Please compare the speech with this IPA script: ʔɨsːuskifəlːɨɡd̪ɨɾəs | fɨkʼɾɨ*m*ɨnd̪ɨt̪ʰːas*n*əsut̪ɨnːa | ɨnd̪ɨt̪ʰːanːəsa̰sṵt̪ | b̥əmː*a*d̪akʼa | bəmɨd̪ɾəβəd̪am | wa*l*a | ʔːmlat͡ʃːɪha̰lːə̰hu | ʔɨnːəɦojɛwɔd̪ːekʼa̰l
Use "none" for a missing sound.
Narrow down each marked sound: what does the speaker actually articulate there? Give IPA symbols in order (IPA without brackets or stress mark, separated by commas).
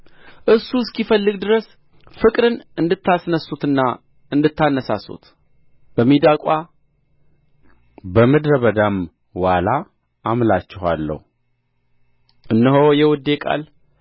n, n, i, l